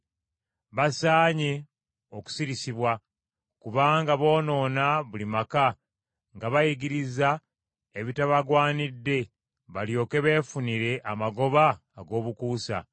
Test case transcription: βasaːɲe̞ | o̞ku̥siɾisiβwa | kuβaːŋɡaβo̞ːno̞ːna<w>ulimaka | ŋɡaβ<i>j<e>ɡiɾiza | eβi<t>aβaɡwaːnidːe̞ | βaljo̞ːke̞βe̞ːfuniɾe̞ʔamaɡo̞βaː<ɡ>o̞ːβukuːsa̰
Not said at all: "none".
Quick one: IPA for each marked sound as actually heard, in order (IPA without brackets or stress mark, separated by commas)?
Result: β, a, i, t, ɡ